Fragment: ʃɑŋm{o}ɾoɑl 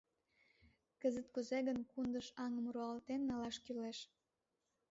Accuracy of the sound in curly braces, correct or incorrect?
incorrect: u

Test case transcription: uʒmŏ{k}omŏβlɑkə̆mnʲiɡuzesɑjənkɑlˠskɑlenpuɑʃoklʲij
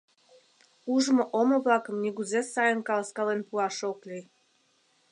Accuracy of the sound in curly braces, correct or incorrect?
incorrect: ʔ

